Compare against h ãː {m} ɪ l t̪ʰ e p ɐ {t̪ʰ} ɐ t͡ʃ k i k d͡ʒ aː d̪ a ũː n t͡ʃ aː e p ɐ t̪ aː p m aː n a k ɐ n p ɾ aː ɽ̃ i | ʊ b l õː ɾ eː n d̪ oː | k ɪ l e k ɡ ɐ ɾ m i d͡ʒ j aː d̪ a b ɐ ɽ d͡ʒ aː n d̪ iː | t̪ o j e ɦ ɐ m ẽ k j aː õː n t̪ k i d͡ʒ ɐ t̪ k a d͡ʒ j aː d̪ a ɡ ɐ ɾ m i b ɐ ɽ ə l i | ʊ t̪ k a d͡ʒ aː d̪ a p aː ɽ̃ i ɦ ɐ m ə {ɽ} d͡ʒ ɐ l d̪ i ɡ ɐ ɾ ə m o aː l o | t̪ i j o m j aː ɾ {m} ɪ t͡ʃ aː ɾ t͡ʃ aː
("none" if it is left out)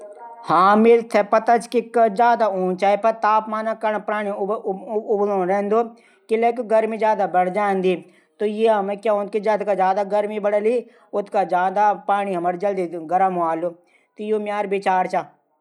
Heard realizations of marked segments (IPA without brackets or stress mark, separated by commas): m, t̪, ɾ, b